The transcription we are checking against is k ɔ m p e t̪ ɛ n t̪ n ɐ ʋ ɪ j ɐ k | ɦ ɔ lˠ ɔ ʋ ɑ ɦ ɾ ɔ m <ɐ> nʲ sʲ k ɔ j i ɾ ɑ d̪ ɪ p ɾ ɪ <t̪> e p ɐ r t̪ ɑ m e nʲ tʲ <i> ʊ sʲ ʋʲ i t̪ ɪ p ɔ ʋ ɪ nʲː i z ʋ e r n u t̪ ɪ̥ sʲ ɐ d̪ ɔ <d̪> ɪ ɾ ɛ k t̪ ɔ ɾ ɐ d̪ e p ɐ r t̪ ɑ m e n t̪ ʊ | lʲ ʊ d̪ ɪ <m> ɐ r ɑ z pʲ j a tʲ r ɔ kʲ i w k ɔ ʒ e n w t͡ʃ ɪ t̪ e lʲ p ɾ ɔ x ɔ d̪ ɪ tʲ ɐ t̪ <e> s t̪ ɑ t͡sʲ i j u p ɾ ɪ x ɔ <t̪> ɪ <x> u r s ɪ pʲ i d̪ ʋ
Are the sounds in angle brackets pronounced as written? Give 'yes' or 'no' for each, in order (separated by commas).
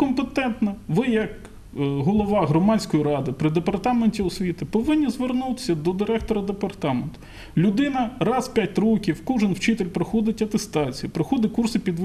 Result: no, no, yes, yes, no, yes, no, no